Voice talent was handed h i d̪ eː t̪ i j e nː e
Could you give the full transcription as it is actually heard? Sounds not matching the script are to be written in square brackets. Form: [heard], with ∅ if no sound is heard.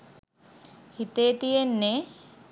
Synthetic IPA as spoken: h i [t̪] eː t̪ i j e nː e